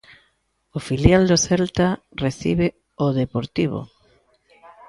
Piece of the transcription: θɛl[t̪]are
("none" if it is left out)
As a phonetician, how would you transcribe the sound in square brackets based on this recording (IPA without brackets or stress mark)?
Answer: t̪